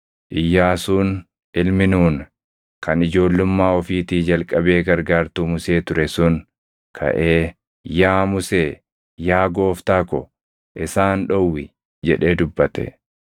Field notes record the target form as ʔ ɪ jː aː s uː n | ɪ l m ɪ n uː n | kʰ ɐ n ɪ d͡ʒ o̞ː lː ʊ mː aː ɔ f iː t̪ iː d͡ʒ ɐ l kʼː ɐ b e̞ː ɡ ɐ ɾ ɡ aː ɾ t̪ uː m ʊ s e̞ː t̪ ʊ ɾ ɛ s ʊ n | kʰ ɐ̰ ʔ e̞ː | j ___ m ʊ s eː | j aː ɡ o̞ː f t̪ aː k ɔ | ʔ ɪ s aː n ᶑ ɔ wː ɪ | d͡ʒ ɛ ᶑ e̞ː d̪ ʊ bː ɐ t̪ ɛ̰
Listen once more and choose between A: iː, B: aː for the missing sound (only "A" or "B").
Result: B